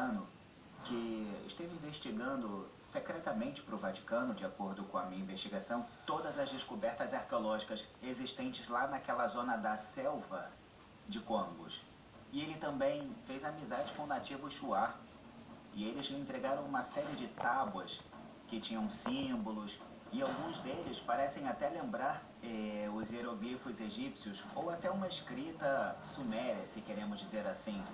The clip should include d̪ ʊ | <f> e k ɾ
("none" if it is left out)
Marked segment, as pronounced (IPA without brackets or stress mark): s